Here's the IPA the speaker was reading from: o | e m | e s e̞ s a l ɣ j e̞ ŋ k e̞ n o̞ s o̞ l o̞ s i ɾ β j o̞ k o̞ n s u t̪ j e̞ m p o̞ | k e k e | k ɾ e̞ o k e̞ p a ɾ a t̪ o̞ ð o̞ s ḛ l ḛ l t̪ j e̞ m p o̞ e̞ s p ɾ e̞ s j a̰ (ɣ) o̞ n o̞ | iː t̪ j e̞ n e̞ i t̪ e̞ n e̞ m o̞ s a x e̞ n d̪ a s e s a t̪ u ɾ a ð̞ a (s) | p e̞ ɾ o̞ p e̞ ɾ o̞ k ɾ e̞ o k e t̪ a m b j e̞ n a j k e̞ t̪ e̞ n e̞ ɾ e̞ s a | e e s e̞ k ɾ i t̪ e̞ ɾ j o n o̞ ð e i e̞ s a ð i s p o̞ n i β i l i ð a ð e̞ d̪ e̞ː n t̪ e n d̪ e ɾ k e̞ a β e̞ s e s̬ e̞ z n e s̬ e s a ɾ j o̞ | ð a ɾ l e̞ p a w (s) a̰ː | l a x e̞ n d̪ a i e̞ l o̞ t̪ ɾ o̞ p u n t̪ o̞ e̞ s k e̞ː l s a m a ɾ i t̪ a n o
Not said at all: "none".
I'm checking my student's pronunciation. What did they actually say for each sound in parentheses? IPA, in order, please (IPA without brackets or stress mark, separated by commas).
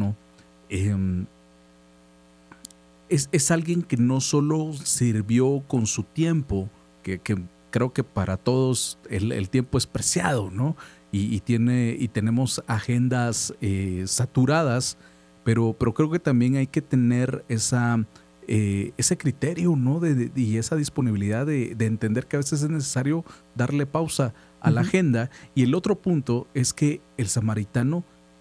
ð, s, s